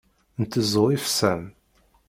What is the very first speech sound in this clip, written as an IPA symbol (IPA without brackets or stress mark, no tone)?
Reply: n